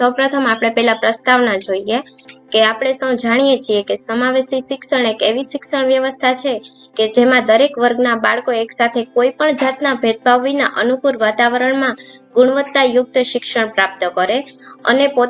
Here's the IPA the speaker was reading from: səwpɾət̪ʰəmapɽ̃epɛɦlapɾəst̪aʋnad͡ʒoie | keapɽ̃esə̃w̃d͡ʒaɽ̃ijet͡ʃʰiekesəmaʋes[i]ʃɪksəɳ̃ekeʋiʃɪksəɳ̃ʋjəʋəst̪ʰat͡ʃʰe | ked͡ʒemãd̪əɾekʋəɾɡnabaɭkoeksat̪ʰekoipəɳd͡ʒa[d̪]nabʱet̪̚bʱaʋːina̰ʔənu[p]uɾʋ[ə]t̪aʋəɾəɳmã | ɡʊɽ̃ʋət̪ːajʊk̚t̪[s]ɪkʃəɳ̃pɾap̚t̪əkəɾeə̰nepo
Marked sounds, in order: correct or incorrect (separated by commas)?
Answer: correct, incorrect, incorrect, incorrect, incorrect